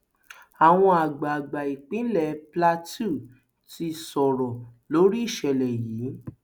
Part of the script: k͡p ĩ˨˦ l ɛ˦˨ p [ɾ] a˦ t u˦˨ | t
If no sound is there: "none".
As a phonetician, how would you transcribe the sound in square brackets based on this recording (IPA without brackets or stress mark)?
l